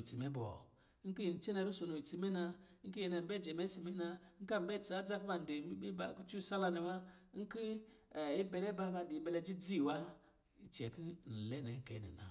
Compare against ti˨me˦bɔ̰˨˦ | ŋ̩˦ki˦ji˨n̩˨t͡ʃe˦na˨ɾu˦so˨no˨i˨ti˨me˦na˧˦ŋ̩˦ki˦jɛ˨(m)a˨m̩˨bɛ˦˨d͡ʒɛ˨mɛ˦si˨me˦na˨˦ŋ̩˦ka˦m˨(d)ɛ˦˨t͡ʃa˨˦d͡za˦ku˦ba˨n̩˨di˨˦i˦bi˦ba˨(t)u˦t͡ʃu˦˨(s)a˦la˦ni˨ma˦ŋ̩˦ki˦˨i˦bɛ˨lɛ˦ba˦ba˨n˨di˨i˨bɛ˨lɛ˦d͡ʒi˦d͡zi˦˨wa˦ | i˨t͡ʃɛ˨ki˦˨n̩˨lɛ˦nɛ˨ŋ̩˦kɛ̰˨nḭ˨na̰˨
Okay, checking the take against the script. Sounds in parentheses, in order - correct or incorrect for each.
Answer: incorrect: n, incorrect: b, incorrect: k, correct

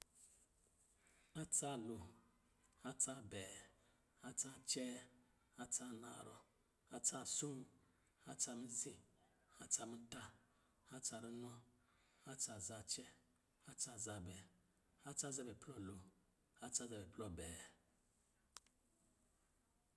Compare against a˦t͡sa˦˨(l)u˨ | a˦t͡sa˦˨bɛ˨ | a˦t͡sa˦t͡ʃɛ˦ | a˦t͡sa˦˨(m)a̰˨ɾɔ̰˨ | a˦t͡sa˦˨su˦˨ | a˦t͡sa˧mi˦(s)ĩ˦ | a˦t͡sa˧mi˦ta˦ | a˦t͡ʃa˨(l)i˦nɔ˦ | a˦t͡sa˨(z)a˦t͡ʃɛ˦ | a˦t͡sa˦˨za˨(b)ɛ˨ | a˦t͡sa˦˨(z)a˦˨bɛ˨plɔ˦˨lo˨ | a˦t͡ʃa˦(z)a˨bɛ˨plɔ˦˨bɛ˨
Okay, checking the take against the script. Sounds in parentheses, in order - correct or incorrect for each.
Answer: correct, incorrect: n, incorrect: z, incorrect: ɾ, correct, correct, correct, correct

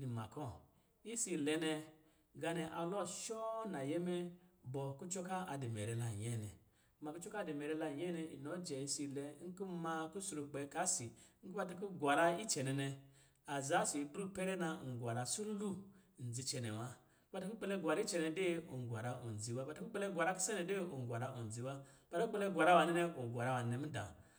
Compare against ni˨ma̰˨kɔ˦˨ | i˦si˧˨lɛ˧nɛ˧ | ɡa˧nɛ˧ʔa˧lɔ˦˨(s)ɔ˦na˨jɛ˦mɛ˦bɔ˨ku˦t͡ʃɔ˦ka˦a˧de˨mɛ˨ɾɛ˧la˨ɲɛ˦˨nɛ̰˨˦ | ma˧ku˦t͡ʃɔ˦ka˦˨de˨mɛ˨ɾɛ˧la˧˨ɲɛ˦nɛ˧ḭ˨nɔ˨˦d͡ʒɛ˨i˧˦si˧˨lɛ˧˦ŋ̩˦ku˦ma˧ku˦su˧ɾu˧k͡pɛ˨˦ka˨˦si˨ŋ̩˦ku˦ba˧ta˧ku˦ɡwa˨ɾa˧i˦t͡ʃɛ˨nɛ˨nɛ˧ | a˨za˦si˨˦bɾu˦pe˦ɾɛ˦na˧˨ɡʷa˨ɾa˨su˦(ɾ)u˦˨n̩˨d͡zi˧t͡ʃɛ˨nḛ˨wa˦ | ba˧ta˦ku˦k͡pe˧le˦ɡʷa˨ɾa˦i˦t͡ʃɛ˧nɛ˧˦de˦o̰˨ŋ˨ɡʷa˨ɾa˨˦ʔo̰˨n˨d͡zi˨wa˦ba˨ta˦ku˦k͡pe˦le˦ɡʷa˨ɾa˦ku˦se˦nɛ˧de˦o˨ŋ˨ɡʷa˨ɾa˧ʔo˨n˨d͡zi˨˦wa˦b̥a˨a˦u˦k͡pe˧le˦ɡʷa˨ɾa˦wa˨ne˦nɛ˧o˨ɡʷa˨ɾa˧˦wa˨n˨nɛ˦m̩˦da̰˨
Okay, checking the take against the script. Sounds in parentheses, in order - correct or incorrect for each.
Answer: incorrect: ʃ, incorrect: l

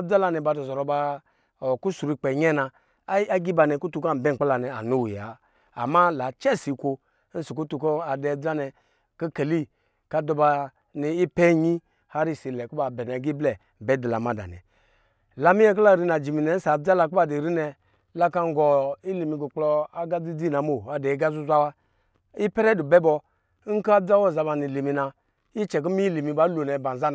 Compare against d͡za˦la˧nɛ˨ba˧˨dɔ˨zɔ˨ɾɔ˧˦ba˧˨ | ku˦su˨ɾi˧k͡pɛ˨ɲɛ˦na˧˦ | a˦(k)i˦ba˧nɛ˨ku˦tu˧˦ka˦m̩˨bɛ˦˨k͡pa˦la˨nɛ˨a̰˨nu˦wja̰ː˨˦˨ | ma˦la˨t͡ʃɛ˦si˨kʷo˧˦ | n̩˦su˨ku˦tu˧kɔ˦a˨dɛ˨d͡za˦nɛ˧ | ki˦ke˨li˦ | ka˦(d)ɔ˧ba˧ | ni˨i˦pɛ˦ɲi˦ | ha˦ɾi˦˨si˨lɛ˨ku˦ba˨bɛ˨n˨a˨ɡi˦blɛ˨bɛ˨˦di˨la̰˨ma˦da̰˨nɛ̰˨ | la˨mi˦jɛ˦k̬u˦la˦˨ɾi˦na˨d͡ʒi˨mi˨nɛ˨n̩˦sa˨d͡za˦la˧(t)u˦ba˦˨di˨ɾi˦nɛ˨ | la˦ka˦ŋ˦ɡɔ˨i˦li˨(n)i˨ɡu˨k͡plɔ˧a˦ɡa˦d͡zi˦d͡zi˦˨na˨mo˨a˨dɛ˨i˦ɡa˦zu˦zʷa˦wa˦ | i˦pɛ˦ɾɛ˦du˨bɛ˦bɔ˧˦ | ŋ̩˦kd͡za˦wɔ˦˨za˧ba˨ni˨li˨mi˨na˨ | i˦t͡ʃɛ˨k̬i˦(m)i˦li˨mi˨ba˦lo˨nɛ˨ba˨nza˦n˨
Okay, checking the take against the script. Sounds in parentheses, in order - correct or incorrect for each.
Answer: incorrect: ɡ, correct, incorrect: k, incorrect: m, correct

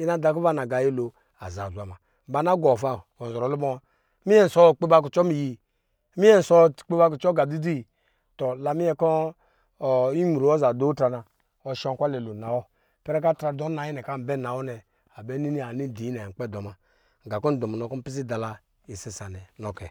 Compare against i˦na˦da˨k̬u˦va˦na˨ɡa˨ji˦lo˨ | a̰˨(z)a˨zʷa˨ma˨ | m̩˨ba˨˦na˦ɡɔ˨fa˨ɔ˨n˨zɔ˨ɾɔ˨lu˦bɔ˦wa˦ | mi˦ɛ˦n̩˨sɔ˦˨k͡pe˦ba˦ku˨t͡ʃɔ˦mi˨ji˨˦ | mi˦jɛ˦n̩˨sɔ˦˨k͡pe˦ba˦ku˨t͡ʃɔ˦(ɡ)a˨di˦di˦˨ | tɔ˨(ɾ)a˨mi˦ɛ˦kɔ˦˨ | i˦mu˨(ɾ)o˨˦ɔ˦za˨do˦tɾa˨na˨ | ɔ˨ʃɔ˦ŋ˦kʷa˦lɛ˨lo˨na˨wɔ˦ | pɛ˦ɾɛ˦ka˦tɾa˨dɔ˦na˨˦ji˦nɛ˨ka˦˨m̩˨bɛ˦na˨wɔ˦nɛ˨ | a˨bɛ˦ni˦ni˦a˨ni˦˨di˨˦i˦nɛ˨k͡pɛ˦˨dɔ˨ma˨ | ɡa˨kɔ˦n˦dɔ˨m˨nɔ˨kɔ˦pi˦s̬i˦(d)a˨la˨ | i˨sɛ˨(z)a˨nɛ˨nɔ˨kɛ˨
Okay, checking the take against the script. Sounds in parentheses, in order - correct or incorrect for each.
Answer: correct, correct, incorrect: l, correct, correct, incorrect: s

